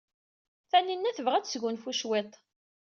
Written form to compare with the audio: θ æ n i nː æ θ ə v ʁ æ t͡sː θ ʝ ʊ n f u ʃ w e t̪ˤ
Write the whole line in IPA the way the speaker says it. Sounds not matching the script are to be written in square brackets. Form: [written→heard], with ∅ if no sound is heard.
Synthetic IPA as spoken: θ æ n i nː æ θ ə v ʁ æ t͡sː [θ→s] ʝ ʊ n f u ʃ w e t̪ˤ

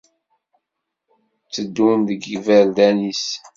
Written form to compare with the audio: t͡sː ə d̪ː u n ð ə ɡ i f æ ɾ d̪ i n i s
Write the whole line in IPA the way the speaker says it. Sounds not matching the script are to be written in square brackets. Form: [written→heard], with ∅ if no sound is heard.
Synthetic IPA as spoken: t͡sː ə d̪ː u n ð ə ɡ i [f→v] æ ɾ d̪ [i→æ] n i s

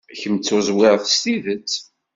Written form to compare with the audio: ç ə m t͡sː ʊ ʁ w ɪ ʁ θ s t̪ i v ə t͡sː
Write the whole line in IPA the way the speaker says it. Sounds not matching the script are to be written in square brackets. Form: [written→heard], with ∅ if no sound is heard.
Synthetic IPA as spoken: ç ə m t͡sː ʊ [ʁ→z] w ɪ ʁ θ s t̪ i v ə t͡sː

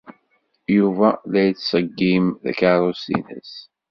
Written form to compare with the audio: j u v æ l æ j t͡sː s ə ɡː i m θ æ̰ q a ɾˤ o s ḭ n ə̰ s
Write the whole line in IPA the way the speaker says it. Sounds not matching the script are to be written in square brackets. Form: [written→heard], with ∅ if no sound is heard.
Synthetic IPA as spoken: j u v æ l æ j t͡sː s ə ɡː i m [θ→ð] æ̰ [q→k] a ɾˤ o s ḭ n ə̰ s

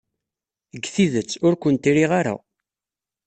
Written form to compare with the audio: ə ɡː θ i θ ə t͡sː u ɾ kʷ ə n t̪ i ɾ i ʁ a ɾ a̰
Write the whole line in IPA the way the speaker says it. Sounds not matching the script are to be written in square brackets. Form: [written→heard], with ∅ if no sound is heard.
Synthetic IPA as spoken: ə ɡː θ i [θ→ð] ə t͡sː [u→ʊ] ɾ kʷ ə n t̪ i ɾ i ʁ a ɾ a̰

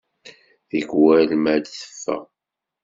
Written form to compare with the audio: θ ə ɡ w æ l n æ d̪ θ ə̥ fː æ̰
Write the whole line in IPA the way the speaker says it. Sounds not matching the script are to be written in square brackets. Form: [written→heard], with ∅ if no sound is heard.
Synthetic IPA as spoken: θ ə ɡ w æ l [n→m] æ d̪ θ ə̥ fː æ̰

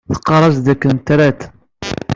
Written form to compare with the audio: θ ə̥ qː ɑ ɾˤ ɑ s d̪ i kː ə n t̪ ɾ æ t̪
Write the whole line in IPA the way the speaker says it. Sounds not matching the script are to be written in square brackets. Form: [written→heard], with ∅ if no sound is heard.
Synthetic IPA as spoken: θ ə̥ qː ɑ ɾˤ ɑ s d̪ [i→æ] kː ə n t̪ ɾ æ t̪

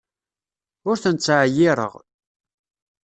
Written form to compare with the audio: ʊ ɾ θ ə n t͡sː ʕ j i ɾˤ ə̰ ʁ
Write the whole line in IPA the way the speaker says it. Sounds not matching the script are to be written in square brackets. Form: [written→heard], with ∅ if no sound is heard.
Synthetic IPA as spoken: ʊ ɾ θ ə n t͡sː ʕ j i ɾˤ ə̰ ʁ

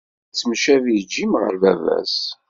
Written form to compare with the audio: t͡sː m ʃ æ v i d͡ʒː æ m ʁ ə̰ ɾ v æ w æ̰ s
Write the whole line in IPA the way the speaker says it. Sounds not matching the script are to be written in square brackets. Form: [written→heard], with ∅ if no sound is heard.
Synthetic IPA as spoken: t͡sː m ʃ æ v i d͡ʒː [æ→i] m ʁ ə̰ ɾ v æ [w→v] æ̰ s

